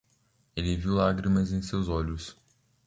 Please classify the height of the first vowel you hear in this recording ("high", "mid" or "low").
mid